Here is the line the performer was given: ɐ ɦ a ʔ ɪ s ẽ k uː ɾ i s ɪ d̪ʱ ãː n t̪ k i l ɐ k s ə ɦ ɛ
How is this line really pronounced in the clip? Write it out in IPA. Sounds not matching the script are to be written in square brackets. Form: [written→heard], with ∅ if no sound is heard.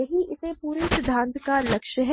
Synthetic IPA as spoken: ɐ ɦ [a→i] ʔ ɪ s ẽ [k→p] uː ɾ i s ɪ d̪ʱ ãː n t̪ k [i→a] l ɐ k [s→ʃ] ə ɦ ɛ

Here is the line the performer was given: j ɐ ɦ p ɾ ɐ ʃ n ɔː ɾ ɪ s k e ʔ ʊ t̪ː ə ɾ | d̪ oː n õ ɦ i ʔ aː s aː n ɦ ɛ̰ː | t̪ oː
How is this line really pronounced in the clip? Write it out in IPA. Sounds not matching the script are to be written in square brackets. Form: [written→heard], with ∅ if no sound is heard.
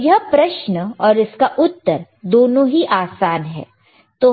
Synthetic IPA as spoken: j ɐ ɦ p ɾ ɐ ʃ n ɔː ɾ ɪ s k [e→a] ʔ ʊ t̪ː ə ɾ | d̪ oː n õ ɦ i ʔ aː s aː n ɦ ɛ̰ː | t̪ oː

